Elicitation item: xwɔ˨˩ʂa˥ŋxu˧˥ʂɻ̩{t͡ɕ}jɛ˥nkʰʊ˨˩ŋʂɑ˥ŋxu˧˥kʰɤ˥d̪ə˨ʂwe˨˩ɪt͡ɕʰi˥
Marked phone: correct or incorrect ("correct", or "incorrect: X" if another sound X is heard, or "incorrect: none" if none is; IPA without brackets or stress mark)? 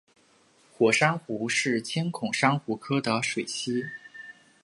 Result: incorrect: t͡ɕʰ